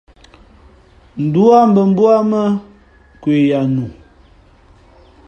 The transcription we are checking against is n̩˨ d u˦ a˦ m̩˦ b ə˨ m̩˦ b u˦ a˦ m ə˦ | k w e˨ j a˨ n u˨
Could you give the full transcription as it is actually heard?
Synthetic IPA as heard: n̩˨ d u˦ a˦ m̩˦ b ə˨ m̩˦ b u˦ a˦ m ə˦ | k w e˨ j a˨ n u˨